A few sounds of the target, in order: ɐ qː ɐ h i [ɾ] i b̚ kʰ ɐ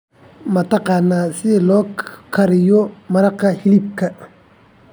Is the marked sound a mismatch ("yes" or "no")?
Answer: yes